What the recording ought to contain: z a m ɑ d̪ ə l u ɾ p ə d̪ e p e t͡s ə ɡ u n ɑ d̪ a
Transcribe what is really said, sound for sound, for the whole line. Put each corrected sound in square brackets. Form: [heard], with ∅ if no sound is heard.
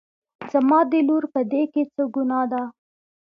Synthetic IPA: z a m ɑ d̪ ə l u ɾ p ə d̪ e [k] e t͡s ə ɡ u n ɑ d̪ a